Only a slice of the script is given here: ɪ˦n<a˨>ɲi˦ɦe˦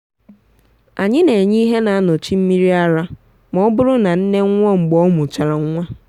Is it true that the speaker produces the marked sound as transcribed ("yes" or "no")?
no